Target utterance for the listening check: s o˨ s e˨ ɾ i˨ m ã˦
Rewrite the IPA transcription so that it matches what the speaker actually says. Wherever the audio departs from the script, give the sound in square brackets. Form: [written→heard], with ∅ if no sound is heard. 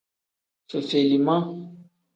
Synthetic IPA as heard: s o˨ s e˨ [ɾ→l] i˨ m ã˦